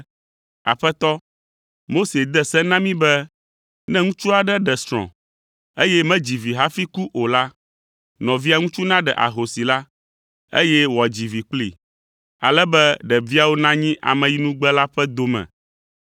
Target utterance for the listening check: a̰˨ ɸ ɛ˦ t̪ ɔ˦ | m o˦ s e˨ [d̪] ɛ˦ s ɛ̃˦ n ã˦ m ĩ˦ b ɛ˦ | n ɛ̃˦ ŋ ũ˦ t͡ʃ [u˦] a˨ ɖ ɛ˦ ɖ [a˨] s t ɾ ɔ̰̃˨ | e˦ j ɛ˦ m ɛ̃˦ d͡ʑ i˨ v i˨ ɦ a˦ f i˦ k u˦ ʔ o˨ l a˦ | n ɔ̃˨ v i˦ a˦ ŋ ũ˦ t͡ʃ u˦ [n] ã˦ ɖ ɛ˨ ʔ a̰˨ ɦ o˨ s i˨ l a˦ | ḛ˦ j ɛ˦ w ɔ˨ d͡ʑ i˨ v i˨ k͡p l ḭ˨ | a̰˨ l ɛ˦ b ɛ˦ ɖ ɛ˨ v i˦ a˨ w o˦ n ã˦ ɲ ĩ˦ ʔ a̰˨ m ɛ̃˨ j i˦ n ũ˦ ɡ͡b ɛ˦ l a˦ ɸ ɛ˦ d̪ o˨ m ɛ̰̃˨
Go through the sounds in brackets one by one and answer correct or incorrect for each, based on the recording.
correct, correct, incorrect, correct

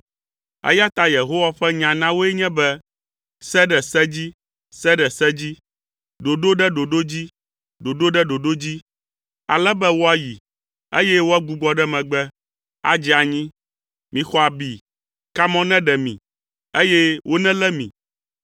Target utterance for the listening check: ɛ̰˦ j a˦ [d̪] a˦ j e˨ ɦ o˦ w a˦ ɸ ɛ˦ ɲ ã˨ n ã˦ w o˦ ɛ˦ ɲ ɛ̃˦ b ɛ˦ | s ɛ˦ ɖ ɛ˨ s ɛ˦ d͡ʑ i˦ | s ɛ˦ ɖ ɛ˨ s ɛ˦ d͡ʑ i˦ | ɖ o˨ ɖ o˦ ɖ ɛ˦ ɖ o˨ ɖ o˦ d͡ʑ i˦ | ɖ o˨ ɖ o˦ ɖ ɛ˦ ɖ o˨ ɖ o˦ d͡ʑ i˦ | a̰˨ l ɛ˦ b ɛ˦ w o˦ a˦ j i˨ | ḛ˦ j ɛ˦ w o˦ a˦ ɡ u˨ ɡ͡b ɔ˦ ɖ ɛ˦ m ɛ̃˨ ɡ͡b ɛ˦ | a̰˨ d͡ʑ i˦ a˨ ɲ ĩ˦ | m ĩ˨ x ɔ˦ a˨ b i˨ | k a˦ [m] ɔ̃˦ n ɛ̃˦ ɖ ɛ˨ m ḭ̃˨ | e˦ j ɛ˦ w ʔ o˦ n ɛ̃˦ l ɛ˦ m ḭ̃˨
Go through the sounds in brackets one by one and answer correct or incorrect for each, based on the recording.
incorrect, correct

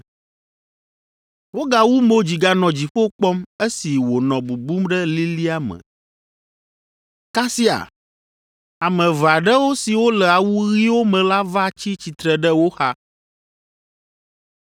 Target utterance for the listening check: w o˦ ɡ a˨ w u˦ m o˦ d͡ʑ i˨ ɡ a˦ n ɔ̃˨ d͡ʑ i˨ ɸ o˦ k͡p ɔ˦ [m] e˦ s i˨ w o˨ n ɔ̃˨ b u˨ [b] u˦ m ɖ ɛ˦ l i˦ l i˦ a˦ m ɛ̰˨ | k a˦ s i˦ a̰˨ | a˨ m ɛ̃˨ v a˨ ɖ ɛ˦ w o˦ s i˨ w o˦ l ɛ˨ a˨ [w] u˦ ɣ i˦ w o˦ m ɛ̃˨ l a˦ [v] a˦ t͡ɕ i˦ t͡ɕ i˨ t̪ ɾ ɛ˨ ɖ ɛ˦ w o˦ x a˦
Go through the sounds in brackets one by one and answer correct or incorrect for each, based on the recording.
correct, correct, correct, correct

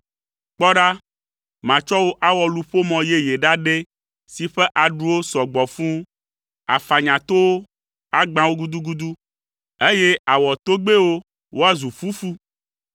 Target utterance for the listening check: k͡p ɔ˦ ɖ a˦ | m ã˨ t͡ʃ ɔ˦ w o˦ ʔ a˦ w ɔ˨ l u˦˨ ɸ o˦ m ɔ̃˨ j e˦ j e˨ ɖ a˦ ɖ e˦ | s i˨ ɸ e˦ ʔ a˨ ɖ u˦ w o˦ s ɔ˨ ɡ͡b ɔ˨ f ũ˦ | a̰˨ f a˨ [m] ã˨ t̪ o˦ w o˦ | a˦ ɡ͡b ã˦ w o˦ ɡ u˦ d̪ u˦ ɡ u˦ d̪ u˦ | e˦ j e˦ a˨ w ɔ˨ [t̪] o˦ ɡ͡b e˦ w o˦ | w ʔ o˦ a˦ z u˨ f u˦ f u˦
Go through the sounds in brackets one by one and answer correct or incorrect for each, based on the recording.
incorrect, correct

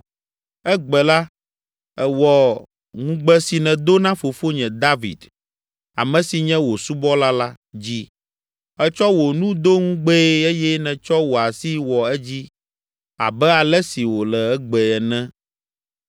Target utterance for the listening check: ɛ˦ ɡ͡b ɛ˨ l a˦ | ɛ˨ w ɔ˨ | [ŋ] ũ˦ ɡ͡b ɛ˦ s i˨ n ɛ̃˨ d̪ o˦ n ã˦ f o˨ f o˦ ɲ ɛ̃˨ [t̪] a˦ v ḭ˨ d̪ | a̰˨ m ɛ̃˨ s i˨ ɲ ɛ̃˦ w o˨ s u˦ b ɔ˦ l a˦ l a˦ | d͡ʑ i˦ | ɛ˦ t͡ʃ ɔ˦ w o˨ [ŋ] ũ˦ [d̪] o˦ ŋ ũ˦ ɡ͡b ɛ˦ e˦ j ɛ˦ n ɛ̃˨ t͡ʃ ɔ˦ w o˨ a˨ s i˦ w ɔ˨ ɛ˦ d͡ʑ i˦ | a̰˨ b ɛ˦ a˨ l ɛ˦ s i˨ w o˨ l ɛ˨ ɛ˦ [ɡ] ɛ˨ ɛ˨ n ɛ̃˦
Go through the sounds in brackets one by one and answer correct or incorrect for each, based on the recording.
correct, incorrect, incorrect, correct, incorrect

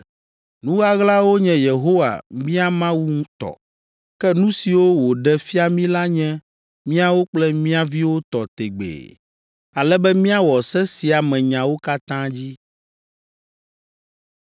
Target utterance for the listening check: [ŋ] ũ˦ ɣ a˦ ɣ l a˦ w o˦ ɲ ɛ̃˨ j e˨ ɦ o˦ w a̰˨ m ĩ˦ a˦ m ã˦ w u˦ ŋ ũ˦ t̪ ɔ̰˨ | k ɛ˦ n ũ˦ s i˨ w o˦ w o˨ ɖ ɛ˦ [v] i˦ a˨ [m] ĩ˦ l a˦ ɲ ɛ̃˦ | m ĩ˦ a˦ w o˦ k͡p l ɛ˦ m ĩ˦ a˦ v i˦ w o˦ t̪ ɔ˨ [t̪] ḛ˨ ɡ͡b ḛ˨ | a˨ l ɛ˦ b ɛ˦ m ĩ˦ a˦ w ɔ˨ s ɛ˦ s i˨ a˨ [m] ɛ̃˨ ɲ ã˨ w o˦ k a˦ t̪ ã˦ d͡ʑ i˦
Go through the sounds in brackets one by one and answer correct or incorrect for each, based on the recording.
incorrect, incorrect, correct, correct, correct

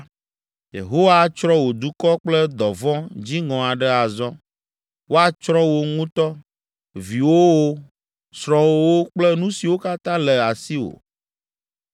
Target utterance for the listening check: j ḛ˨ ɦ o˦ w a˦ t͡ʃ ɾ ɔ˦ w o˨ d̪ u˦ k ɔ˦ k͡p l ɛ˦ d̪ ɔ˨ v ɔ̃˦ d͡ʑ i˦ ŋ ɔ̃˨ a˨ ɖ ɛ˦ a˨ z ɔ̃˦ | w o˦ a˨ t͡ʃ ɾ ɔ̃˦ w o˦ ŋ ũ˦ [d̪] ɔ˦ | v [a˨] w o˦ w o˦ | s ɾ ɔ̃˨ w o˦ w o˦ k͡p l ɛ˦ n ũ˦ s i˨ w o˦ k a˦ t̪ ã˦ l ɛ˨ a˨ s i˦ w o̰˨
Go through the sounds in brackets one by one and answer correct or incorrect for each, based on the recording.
incorrect, incorrect

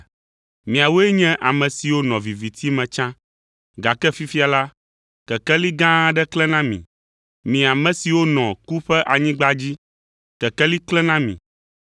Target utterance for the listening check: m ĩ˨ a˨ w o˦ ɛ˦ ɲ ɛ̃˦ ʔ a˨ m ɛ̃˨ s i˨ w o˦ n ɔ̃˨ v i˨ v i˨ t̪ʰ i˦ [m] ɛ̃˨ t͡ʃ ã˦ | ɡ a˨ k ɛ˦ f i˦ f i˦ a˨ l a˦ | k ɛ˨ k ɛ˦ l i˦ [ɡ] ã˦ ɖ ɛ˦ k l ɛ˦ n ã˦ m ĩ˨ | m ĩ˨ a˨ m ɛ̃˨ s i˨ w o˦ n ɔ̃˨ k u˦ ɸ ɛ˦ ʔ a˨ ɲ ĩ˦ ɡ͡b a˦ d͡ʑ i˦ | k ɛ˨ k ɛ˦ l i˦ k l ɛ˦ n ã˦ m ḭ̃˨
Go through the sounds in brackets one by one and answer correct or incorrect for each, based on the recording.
correct, correct

